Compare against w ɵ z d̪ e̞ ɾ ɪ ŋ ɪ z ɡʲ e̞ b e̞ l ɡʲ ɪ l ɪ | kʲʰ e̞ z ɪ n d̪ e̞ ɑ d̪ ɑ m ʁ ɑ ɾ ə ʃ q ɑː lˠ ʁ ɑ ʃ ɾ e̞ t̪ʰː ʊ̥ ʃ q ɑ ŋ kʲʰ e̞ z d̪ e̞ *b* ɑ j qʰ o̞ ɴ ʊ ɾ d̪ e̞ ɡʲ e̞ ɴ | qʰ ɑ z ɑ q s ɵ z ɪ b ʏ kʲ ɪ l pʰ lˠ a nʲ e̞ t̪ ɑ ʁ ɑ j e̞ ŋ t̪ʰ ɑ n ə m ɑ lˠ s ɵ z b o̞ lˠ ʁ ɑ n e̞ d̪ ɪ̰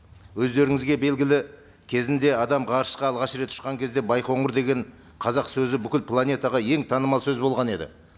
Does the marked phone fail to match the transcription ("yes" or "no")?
no